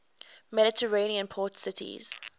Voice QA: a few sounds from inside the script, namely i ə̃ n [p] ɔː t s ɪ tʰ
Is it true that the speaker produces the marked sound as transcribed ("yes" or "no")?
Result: no